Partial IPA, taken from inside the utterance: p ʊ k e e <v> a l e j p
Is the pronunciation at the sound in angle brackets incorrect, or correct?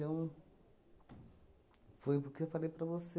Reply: incorrect: f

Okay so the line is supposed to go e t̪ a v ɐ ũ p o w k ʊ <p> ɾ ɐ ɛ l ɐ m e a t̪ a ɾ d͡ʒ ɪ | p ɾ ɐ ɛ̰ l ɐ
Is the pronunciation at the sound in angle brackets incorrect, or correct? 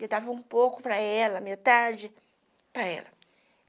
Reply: correct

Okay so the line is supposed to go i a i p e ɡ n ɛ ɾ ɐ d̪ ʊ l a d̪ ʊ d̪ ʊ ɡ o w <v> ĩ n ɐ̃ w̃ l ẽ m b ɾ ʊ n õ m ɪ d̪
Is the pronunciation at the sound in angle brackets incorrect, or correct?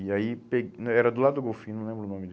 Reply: incorrect: f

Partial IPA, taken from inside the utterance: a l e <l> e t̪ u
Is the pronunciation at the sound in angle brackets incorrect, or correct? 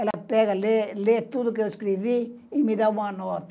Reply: correct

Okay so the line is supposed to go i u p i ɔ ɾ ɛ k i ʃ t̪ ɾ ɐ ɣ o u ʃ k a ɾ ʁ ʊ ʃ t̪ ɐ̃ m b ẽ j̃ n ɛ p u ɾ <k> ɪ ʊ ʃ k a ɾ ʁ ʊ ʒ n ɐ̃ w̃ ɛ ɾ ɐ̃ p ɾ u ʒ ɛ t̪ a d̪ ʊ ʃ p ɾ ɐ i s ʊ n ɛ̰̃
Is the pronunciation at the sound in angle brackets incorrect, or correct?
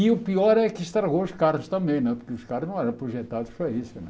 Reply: correct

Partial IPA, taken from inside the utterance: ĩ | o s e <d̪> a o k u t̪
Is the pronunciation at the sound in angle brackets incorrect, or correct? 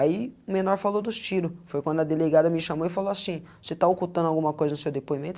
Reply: incorrect: t̪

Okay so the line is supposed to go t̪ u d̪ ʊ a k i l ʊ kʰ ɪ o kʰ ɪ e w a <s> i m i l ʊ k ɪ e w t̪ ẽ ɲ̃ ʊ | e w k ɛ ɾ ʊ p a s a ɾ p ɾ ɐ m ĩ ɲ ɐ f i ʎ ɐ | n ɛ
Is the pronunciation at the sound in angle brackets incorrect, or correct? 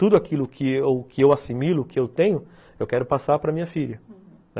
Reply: correct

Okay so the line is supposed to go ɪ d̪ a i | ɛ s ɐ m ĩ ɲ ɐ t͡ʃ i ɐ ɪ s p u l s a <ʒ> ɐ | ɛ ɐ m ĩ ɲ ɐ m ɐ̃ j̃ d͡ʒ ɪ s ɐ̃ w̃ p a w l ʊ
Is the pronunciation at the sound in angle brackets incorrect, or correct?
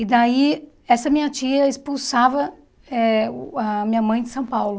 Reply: incorrect: v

